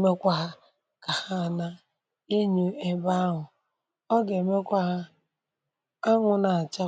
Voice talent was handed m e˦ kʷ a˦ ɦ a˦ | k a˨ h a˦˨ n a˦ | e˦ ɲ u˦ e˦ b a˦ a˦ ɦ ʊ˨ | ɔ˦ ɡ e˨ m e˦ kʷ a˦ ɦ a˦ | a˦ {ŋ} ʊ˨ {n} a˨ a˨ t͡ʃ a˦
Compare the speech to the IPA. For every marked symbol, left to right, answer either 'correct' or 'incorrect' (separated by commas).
correct, correct